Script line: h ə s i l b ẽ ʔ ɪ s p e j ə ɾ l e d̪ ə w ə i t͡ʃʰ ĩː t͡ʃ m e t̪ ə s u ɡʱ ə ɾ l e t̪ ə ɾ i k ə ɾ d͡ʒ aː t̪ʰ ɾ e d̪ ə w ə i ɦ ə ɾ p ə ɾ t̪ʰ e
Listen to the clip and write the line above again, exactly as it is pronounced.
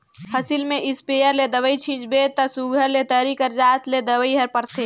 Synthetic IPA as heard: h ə s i l m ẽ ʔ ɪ s p e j ə ɾ l e d̪ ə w ə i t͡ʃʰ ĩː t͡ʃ b e t̪ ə s u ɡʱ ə ɾ l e t̪ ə ɾ i k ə ɾ d͡ʒ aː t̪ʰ l e d̪ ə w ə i ɦ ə ɾ p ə ɾ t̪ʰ e